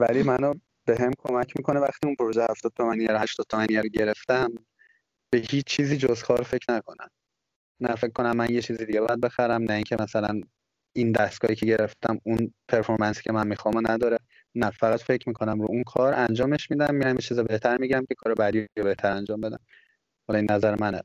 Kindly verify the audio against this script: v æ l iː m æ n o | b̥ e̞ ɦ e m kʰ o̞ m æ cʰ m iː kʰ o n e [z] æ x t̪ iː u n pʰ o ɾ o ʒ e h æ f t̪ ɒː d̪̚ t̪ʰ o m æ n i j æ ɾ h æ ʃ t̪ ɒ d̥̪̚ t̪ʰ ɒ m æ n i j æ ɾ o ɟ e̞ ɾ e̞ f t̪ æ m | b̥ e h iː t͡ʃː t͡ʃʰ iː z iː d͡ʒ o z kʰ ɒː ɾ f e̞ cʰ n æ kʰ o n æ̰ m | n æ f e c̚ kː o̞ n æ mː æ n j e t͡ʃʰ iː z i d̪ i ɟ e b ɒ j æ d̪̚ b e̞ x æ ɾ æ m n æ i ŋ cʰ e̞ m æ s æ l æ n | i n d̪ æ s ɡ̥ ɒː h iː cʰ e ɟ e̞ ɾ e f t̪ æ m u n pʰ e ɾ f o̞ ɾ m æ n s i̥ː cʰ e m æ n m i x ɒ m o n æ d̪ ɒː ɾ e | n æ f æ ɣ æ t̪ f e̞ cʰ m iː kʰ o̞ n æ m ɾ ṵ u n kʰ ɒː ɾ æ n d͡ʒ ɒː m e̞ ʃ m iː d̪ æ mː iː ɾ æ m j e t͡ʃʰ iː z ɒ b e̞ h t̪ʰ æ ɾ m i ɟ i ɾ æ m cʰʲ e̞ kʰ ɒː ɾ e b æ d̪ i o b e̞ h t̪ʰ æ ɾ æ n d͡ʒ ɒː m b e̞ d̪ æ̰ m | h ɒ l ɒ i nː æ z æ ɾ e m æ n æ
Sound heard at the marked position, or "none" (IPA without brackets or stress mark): v